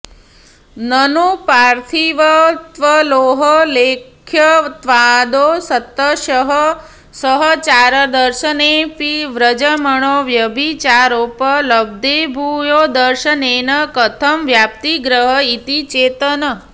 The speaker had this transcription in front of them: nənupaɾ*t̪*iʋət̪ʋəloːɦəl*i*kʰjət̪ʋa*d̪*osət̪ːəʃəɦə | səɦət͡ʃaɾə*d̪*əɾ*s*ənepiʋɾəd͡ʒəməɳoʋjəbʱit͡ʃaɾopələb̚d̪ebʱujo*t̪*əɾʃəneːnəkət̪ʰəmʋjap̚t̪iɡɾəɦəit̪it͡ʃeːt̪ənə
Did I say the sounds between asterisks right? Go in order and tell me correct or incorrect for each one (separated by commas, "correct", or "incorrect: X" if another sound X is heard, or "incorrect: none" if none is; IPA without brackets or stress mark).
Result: incorrect: t̪ʰ, incorrect: e, correct, correct, incorrect: ʃ, incorrect: d̪